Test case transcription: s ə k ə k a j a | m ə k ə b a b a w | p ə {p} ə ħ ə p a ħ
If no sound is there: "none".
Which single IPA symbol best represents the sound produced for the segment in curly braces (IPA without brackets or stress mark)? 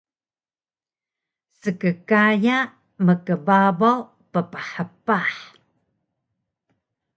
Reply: p